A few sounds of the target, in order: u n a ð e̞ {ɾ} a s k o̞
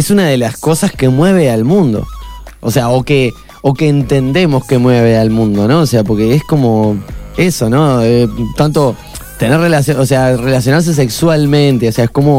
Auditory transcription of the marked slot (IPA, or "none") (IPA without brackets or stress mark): l